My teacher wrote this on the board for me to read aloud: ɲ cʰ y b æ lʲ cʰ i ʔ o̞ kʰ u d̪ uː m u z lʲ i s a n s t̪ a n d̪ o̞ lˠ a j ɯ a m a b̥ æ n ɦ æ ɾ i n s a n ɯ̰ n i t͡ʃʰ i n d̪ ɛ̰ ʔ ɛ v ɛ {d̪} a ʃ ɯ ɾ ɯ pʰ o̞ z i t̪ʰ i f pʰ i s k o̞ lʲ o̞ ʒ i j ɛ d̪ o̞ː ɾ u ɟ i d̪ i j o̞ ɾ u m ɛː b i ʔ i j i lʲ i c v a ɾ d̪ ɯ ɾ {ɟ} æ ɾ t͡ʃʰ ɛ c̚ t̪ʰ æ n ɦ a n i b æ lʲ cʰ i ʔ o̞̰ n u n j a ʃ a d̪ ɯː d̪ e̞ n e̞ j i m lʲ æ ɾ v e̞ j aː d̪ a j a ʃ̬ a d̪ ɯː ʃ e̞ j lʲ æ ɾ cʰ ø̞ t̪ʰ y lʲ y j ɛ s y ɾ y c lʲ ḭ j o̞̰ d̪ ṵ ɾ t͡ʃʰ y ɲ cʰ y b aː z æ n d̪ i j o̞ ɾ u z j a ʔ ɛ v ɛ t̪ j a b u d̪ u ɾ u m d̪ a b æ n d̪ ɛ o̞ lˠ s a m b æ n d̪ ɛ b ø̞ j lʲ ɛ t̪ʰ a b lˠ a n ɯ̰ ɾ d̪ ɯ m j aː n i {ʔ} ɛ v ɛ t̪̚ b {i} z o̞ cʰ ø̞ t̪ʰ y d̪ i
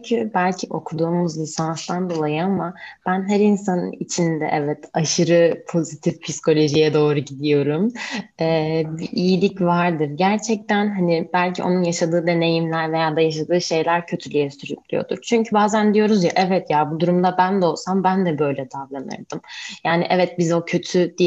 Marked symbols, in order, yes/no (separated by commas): no, yes, yes, yes